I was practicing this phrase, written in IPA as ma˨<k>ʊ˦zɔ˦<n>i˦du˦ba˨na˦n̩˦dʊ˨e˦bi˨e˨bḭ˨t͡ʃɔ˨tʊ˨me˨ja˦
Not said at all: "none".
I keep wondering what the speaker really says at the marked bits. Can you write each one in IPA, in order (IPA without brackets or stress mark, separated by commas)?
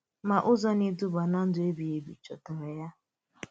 ʔ, n